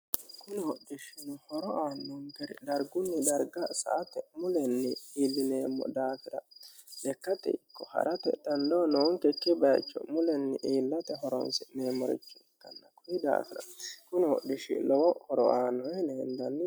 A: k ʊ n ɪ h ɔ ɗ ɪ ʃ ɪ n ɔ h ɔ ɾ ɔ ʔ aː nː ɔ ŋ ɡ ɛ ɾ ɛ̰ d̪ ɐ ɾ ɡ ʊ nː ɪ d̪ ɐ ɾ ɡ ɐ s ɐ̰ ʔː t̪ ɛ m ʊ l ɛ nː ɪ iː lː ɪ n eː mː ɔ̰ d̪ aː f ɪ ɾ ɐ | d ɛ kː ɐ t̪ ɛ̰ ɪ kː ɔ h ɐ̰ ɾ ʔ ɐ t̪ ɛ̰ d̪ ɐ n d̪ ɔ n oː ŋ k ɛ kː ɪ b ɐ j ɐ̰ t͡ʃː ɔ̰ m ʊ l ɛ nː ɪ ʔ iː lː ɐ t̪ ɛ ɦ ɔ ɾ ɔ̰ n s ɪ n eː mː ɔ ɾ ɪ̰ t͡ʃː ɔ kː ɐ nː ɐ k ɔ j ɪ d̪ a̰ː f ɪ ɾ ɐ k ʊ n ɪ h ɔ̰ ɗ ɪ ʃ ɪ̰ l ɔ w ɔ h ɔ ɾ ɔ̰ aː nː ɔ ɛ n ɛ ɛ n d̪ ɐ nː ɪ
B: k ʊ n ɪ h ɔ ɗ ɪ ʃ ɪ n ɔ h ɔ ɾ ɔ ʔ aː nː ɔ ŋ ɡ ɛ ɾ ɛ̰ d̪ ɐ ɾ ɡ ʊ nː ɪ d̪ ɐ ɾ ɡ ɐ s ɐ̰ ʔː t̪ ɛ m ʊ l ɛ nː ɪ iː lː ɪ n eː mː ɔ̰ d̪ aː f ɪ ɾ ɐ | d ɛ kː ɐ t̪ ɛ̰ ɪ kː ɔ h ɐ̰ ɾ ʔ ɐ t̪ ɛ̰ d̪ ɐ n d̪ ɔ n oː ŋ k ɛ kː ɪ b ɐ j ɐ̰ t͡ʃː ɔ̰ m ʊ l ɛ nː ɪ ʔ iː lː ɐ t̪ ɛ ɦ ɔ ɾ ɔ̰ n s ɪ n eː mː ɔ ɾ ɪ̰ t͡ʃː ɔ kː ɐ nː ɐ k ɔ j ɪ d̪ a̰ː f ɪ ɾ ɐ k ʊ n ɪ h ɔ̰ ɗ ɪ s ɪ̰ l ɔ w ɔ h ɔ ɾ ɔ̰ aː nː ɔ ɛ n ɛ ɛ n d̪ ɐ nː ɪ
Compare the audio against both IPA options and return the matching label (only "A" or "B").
A